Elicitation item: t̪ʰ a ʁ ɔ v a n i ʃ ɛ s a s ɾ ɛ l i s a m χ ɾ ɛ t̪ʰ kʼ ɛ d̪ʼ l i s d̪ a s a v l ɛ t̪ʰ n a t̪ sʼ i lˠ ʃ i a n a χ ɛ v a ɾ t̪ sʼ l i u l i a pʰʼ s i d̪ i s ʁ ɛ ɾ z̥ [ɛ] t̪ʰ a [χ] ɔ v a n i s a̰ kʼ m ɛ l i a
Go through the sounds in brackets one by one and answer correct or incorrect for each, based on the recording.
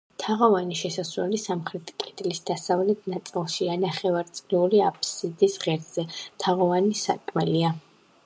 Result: correct, incorrect: ʁ

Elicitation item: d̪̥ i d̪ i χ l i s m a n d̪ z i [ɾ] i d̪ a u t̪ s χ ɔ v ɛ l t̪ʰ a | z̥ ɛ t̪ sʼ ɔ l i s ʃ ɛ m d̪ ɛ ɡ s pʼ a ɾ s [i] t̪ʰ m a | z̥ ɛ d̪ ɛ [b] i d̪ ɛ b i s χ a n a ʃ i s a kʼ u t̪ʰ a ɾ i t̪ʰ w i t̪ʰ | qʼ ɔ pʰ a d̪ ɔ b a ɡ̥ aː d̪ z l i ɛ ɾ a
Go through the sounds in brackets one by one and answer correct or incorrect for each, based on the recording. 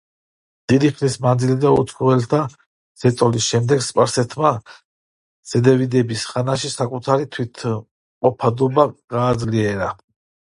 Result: incorrect: l, incorrect: ɛ, incorrect: v

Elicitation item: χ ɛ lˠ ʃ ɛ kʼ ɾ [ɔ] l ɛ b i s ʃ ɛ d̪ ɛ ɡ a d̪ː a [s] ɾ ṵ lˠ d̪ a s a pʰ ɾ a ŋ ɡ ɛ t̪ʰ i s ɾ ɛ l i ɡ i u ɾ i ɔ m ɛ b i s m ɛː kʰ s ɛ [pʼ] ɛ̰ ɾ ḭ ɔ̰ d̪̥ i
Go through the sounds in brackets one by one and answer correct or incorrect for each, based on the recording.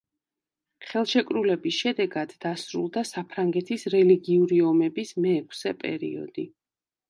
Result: incorrect: u, correct, correct

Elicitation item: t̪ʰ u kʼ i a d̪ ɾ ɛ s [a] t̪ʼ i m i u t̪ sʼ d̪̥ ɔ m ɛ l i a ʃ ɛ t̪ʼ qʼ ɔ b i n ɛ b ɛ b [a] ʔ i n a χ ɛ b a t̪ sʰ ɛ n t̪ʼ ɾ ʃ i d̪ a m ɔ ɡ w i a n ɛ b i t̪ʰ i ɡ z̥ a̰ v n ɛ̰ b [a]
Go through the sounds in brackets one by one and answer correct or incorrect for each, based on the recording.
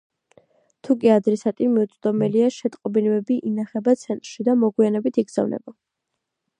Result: correct, incorrect: i, correct

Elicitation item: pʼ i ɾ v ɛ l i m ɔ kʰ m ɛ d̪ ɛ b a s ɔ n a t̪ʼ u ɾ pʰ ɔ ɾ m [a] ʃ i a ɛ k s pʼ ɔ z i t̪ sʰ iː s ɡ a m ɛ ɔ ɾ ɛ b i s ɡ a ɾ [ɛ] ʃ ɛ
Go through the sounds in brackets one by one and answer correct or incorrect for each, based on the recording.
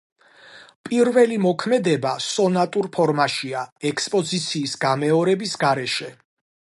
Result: correct, correct

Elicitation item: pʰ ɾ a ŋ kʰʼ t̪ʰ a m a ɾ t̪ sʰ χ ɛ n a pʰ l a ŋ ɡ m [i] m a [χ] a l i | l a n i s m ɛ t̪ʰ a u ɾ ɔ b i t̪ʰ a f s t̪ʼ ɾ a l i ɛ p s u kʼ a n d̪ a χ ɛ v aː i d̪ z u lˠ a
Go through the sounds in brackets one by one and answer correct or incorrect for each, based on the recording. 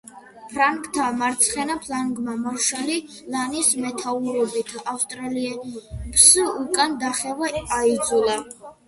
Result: incorrect: a, incorrect: ʃ

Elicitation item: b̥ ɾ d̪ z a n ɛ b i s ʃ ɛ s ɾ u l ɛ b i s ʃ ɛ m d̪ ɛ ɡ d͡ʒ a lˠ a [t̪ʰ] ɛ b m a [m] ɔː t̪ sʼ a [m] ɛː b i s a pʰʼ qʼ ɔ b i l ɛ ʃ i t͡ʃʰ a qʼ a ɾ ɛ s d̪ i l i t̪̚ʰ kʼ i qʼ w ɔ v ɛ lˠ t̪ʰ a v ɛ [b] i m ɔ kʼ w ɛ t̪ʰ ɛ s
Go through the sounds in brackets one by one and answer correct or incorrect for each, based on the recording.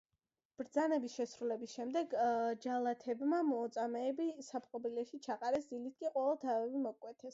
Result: correct, correct, correct, incorrect: v

